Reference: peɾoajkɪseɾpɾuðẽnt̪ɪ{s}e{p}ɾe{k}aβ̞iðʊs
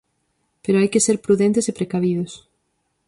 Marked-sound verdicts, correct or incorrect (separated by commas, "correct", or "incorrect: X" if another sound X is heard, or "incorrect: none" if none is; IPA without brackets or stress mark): correct, correct, correct